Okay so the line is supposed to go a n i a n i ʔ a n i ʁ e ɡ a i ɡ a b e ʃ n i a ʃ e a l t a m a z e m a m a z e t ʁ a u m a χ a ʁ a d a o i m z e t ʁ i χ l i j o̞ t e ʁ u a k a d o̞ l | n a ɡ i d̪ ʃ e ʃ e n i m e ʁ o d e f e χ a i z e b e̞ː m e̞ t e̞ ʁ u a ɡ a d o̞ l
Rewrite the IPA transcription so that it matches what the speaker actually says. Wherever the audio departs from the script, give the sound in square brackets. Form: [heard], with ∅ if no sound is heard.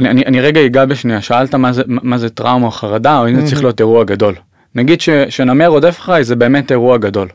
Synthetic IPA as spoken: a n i a n i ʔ a n i ʁ e ɡ a i ɡ a b e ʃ n i a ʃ [a] a l t a m a z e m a m a z e t ʁ a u m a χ a ʁ a d a o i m z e [t͡s] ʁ i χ l i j o̞ t e ʁ u a [ɡ] a d o̞ l | n a ɡ i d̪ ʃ e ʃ e n [a] m e ʁ o d e f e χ a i z e b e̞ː m e̞ t e̞ ʁ u a ɡ a d o̞ l